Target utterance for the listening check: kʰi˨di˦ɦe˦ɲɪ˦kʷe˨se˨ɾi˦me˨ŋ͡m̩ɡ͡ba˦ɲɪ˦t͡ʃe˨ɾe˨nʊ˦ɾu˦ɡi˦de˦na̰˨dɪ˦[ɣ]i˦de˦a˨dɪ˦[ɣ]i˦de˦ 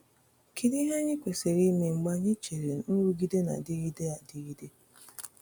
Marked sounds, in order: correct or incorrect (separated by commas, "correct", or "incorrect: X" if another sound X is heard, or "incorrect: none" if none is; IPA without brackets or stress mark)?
correct, correct